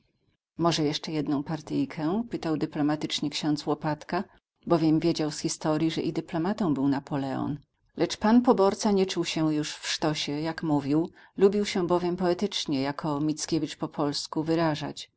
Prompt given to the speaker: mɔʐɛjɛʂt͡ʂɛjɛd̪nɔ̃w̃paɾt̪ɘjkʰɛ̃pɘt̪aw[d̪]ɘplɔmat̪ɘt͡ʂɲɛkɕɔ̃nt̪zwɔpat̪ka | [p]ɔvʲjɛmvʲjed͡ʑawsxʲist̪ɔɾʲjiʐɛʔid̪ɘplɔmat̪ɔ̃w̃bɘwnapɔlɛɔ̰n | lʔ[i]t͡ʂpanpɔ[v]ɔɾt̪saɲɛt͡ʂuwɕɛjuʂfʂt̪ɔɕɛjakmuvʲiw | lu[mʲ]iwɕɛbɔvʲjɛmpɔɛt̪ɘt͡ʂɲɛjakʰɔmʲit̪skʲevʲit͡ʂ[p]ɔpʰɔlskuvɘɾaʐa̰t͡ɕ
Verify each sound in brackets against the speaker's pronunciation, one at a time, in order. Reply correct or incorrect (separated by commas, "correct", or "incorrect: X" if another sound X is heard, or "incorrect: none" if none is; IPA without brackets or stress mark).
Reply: correct, incorrect: b, incorrect: ɛ, incorrect: b, incorrect: bʲ, correct